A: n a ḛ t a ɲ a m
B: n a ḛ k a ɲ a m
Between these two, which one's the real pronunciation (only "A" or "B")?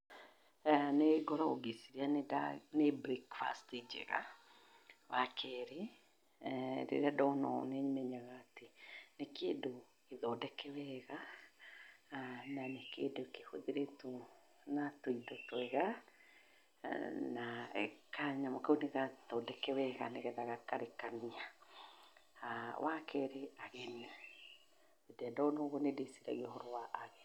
B